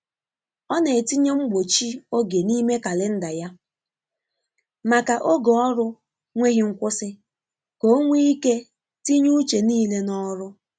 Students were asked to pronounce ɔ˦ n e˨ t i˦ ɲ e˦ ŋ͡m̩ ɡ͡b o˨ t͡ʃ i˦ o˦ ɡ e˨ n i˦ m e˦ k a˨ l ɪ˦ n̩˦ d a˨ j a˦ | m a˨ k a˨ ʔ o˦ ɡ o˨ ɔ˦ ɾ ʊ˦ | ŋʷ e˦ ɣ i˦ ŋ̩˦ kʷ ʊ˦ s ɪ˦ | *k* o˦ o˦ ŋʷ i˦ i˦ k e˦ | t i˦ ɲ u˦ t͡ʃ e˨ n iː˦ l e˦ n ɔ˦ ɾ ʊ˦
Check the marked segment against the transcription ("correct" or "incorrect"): correct